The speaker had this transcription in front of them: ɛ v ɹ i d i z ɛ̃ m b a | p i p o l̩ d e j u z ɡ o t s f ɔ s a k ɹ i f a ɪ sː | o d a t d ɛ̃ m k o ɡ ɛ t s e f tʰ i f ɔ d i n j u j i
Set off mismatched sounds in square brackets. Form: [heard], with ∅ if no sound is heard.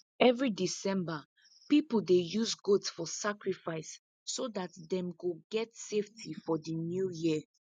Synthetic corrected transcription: ɛ v ɹ i d i [s] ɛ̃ m b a | p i p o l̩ d e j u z ɡ o t s f ɔ s a k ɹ i f a ɪ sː | o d a t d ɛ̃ m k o ɡ ɛ t s e f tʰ i f ɔ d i n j u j i

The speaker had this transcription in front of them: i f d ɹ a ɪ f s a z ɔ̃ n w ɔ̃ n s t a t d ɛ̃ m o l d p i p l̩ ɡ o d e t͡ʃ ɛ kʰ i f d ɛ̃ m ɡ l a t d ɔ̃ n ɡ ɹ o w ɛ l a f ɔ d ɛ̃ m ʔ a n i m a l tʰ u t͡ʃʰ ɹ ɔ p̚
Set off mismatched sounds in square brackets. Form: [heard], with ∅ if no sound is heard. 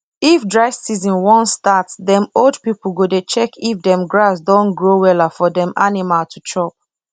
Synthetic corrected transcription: i f d ɹ a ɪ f s [i] z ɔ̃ n w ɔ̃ n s t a t d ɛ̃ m o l d p i p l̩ ɡ o d e t͡ʃ ɛ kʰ i f d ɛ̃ m ɡ [ɹ] a [s] d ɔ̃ n ɡ ɹ o w ɛ l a f ɔ d ɛ̃ m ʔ a n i m a l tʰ u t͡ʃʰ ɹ ɔ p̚

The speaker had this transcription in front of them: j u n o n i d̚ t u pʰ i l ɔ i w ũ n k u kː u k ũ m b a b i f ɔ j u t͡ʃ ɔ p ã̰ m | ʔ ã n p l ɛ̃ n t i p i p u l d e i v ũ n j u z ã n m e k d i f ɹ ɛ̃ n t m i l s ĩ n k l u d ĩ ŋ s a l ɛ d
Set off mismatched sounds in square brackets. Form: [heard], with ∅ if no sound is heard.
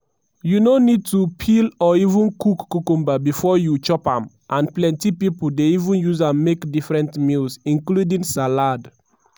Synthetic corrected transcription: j u n o n i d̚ t u pʰ i l ɔ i [v] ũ n k u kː u k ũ m b a b i f ɔ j u t͡ʃ ɔ p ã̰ m | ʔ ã n p l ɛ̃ n t i p i p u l d e i v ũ n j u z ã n m e k d i f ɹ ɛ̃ n t m i l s ĩ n k l u d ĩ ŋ s a l [a] d

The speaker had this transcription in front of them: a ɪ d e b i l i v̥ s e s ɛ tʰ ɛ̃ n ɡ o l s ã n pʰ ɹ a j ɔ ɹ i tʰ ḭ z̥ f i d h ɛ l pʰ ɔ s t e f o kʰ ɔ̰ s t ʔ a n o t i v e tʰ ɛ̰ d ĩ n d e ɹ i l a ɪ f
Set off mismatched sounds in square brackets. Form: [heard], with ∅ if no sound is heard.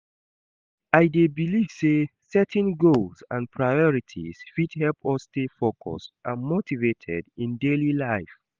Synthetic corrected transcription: a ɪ d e b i l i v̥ s e s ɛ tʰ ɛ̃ n ɡ o l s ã n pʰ ɹ a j ɔ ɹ i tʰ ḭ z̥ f i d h ɛ l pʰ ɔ s t e f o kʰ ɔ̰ s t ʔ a [m] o t i v e tʰ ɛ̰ d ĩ n d e [l] i l a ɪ f

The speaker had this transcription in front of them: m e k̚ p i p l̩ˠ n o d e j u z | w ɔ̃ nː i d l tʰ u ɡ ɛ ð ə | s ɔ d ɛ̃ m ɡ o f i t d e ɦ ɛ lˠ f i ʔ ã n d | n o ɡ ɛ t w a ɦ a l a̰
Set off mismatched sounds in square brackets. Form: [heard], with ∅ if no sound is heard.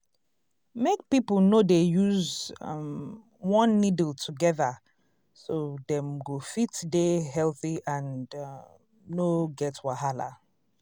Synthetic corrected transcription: m e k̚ p i p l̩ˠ n o d e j u z | w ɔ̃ nː i d l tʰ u ɡ ɛ ð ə | s [o] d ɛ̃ m ɡ o f i t d e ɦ ɛ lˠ [θ] i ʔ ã n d | n o ɡ ɛ t w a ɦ a l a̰

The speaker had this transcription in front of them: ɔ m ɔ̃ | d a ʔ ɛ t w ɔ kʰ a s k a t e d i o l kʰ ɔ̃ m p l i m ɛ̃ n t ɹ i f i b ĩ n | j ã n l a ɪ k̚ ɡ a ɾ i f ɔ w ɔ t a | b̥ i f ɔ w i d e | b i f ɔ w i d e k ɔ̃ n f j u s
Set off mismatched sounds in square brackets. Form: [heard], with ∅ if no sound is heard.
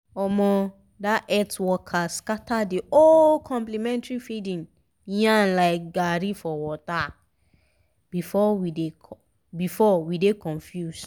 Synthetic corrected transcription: ɔ m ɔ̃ | d a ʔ ɛ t w ɔ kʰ a s k a t [a] d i o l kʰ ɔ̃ m p l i m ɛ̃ n t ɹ i f i [d] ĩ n | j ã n l a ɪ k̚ ɡ a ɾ i f ɔ w ɔ t a | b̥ i f ɔ w i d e | b i f ɔ w i d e k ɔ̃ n f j u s

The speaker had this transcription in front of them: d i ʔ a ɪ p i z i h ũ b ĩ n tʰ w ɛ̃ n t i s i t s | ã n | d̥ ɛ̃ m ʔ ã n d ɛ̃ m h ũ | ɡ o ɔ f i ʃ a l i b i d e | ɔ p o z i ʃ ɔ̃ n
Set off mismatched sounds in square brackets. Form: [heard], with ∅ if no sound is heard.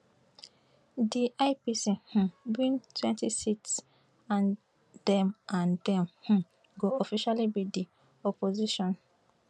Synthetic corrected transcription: d i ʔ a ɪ p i [s] i h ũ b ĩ n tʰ w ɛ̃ n t i s i t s | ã n | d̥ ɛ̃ m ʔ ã n d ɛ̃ m h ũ | ɡ o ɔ f i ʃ a l i b i d [i] | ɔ p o z i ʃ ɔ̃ n

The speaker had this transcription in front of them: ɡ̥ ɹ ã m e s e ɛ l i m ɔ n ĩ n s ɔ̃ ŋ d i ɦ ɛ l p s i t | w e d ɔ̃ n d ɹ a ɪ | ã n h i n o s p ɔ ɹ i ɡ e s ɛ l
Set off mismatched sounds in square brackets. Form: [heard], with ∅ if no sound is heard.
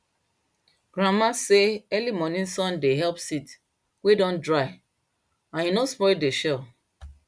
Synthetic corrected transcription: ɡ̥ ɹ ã m [a] s e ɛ l i m ɔ n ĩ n s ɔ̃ [n] d [e] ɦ ɛ l p s i t | w e d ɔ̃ n d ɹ a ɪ | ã n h i n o s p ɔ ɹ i [d] e [ʃ] ɛ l

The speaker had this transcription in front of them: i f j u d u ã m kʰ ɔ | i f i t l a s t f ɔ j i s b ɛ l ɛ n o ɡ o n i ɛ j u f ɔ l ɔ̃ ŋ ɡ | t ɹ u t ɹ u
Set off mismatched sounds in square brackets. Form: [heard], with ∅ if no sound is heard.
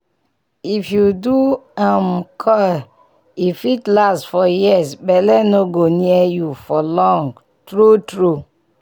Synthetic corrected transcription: i f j u d u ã m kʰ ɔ | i f i t l a s t f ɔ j i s b ɛ l ɛ n o ɡ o n i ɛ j u f ɔ l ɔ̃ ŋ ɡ | t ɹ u t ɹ u

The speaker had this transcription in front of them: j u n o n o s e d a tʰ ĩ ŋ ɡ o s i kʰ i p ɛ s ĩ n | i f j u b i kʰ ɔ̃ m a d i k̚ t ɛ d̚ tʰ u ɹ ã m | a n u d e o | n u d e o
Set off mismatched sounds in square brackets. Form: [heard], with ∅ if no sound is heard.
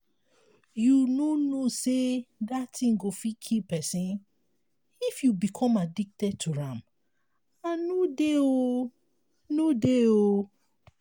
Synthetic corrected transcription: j u n o n o s e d a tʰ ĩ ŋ ɡ o [f] i kʰ i p ɛ s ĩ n | i f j u b i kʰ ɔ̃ m a d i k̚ t ɛ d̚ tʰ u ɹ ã m | a n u d e o | n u d e o

